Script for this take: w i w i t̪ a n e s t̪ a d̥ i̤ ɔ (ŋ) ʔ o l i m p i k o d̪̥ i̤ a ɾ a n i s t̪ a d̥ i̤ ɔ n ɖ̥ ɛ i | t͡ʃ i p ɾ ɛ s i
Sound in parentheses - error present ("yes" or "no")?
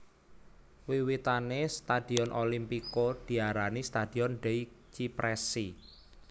yes